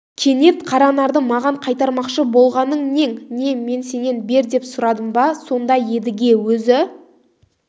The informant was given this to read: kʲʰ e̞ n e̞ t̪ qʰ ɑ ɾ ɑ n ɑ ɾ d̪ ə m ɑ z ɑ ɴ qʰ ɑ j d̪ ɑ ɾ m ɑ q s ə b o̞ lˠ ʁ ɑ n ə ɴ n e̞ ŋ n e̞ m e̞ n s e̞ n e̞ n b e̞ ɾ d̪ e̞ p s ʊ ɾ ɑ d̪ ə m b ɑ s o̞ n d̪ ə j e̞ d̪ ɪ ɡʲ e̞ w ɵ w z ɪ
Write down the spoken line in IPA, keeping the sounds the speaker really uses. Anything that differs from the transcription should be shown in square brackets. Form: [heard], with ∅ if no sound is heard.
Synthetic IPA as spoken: kʲʰ e̞ n e̞ t̪ qʰ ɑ ɾ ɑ n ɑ ɾ d̪ ə m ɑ [ʁ] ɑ ɴ qʰ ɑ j [t̪] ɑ ɾ m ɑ q [ʃ] ə b o̞ lˠ ʁ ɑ n ə ɴ n e̞ ŋ n e̞ m e̞ n s e̞ n e̞ n b e̞ ɾ d̪ e̞ p s ʊ ɾ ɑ d̪ ə m b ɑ s o̞ n d̪ [ɑ] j e̞ d̪ ɪ ɡʲ e̞ w ɵ [∅] z ɪ